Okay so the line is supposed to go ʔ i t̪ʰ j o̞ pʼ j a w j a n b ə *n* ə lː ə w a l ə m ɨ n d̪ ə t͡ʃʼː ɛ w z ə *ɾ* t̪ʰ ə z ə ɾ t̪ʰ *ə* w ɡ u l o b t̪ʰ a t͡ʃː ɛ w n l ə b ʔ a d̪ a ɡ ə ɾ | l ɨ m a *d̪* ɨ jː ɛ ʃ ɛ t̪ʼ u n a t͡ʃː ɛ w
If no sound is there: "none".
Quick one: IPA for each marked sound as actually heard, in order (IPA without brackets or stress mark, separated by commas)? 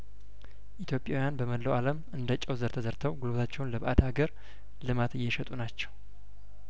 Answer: m, ɾ, ə, t̪